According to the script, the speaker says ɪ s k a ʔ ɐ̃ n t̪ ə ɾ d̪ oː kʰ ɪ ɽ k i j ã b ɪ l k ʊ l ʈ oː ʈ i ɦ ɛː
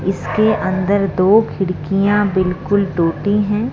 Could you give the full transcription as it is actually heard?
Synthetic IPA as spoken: ɪ s k e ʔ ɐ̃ n d̪ ə ɾ d̪ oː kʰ ɪ ɽ k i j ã b ɪ l k ʊ l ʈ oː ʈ i ɦ ɛ̃ː